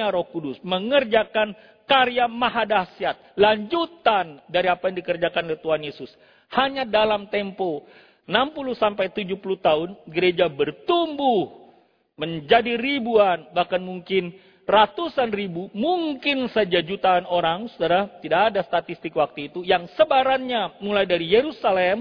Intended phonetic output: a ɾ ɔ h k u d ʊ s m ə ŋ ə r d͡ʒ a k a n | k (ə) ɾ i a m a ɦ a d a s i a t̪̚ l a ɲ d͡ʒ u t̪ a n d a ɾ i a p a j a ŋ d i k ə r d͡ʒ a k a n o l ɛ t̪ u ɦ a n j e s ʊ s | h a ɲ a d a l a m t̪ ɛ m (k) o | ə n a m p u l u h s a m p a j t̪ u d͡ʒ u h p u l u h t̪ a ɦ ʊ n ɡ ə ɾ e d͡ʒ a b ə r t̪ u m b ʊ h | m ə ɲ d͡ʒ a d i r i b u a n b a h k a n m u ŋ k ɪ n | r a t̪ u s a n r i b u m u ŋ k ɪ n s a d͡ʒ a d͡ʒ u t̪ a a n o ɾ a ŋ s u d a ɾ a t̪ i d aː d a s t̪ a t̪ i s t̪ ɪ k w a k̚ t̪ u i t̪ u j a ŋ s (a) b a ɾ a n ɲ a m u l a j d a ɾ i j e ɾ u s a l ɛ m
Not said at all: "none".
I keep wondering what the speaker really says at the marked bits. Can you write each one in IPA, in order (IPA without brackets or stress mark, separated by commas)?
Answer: a, p, ə